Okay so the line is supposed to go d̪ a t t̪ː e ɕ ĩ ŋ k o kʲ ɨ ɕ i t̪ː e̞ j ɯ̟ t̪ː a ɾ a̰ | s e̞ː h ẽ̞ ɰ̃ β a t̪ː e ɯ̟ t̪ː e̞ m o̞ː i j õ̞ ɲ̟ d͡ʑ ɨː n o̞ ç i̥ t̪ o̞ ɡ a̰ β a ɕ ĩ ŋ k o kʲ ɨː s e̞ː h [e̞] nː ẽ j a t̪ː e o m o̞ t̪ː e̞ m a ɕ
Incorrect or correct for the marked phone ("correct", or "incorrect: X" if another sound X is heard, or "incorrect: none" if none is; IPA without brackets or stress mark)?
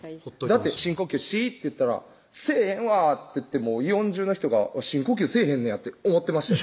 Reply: incorrect: ẽ̞